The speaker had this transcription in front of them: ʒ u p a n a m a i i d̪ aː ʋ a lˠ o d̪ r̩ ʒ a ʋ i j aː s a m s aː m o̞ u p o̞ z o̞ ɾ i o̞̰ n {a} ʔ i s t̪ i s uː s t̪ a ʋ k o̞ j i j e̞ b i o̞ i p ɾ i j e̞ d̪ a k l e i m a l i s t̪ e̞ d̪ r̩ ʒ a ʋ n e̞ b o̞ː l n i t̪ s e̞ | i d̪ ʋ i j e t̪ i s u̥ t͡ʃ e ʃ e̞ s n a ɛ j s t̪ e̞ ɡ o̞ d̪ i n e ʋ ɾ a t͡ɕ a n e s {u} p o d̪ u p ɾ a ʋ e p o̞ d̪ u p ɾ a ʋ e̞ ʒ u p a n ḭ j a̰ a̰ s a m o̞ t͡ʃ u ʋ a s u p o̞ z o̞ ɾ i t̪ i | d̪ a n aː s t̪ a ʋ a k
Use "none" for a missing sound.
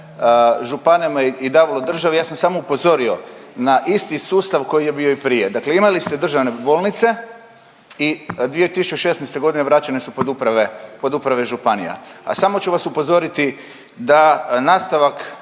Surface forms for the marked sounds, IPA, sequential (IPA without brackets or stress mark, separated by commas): a, u